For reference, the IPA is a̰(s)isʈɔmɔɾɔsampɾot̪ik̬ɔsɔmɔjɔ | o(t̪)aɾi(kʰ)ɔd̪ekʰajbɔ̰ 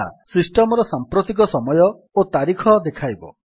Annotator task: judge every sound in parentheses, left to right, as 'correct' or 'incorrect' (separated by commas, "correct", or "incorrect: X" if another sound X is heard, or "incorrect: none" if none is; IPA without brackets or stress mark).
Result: correct, correct, correct